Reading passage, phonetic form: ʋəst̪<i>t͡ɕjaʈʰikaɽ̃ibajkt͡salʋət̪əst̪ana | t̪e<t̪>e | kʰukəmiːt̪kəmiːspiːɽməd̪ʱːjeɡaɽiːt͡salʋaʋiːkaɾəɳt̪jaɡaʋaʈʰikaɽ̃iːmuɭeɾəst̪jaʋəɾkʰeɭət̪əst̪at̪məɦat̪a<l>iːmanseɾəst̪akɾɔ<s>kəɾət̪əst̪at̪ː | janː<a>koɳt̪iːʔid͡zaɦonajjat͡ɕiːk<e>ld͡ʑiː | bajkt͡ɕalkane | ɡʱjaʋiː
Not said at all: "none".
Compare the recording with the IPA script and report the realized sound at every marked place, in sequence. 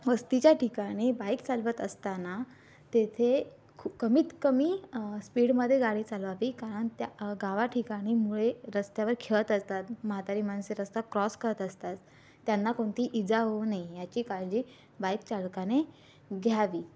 i, t̪ʰ, ɾ, s, a, a

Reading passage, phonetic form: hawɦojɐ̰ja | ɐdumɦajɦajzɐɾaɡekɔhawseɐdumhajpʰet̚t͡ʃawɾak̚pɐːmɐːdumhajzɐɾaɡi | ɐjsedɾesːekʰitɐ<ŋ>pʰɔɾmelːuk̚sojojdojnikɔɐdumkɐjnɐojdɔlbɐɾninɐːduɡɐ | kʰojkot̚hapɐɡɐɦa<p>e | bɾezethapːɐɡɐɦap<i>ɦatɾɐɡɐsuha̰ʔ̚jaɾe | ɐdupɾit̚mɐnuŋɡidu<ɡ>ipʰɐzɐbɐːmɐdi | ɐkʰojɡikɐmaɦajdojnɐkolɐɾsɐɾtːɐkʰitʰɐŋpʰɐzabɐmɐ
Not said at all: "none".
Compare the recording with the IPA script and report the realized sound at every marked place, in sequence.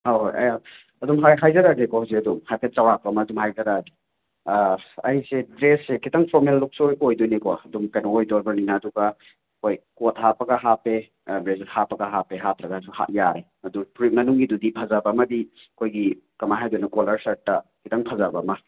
ŋ, p, e, d

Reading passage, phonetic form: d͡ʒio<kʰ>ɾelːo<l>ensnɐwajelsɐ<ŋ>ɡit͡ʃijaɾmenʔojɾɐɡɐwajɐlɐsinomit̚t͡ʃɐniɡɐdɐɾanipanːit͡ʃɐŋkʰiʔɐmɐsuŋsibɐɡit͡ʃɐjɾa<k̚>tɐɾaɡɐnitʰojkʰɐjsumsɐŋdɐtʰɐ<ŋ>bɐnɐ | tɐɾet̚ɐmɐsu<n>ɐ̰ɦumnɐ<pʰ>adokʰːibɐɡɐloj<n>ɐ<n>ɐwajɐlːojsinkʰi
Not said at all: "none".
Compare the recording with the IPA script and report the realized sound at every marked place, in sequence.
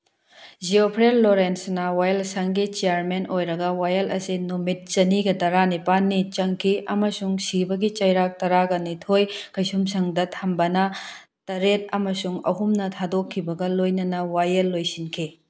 pʰ, ɾ, ŋ, k̚, m, ŋ, tʰ, n, n

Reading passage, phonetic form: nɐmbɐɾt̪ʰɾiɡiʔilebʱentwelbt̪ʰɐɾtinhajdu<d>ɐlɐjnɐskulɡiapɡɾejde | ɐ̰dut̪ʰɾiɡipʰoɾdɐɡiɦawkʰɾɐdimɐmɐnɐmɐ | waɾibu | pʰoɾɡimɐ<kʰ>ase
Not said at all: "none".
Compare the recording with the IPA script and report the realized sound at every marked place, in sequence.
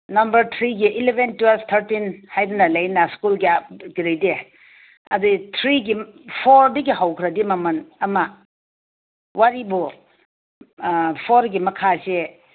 n, kʰ

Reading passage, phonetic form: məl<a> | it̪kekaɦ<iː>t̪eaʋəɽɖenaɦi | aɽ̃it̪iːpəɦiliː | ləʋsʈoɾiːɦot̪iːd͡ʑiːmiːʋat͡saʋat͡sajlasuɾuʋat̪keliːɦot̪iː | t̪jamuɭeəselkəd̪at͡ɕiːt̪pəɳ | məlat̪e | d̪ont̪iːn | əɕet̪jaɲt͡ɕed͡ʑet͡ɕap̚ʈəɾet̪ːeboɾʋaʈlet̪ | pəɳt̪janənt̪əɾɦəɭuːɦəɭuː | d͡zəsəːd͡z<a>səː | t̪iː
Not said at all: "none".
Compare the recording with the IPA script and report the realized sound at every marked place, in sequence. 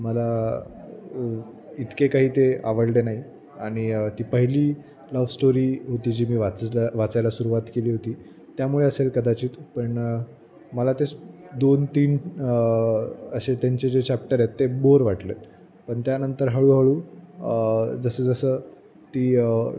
a, iː, ə

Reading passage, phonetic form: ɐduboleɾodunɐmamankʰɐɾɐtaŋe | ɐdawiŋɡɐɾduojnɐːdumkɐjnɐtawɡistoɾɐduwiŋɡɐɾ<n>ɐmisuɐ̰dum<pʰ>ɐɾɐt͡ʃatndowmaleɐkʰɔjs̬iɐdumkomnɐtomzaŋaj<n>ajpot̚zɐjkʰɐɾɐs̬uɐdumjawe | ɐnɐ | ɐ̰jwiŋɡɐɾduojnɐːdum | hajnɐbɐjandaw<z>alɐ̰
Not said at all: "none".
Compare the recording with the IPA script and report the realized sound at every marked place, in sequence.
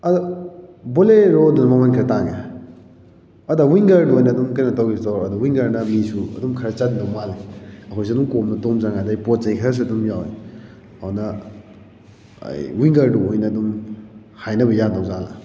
n, kʰ, d, z

